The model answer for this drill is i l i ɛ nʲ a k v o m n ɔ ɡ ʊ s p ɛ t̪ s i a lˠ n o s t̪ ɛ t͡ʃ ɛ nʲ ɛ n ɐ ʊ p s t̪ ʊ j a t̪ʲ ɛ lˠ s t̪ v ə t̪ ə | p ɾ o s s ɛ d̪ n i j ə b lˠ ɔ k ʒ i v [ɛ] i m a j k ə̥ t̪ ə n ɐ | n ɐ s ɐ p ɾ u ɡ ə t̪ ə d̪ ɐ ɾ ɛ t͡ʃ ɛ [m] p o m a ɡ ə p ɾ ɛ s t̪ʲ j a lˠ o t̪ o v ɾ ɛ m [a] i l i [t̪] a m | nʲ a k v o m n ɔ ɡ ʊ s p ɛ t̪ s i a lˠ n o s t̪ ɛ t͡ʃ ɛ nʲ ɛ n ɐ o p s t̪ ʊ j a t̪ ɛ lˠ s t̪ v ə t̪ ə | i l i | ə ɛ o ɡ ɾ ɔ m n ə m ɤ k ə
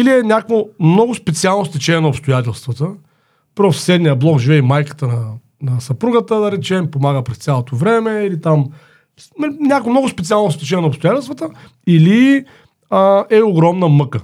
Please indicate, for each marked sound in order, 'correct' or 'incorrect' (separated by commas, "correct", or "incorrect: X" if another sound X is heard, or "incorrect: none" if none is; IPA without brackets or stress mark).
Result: correct, correct, incorrect: ɛ, correct